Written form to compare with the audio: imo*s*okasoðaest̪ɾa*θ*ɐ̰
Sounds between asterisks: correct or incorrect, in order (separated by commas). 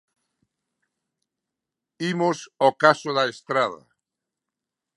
correct, incorrect